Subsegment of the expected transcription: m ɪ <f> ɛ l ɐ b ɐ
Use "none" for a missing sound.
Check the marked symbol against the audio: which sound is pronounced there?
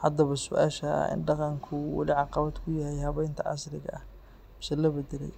s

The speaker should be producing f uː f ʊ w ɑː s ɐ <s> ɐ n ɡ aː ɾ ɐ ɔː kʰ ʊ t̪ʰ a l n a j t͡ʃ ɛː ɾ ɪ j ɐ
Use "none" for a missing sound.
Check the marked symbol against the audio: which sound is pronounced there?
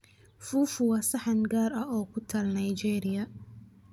ħ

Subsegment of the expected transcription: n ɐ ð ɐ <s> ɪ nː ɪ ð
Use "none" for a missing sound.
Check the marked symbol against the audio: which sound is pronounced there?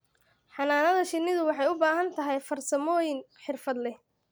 ʃ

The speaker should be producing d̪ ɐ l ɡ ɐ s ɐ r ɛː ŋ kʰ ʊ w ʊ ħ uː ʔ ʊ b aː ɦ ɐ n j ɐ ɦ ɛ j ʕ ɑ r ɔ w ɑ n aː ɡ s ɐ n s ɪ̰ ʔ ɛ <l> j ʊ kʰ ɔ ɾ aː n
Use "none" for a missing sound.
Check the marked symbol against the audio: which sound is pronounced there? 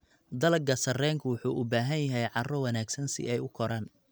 none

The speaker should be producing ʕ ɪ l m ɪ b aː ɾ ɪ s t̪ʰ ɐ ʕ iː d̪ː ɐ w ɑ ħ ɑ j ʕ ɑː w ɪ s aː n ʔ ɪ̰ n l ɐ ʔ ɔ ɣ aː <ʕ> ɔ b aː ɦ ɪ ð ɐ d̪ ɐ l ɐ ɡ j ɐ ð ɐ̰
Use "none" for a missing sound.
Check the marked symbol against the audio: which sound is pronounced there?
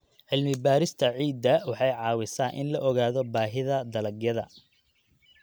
ð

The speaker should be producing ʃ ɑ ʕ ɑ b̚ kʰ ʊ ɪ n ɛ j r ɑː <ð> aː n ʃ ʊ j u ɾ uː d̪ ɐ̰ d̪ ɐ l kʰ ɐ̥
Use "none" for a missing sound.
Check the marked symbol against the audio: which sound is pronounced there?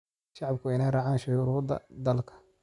ʕ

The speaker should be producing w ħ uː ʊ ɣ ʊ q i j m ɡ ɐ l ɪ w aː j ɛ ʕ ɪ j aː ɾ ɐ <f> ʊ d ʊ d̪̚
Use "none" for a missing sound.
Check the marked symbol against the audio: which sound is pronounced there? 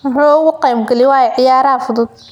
f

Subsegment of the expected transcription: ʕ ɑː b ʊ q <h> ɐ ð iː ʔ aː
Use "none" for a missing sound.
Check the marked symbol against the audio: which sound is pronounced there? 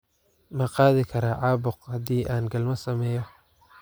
h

